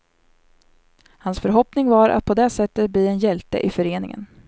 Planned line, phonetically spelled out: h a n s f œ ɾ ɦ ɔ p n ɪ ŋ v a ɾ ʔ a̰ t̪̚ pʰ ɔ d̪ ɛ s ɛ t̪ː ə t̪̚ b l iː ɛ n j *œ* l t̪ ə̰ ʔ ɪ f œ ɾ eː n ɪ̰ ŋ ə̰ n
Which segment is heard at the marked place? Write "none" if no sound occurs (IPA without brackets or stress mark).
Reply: ɛ